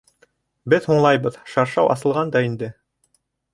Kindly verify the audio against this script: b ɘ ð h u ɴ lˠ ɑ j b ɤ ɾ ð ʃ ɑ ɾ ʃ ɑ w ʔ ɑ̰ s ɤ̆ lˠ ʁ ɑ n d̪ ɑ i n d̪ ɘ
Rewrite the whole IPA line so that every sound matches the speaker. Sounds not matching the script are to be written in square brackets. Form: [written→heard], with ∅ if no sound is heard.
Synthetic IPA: b ɘ ð h u ɴ lˠ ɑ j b ɤ [ɾ→∅] ð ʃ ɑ ɾ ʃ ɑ w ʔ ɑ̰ s ɤ̆ lˠ ʁ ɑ n d̪ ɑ i n d̪ ɘ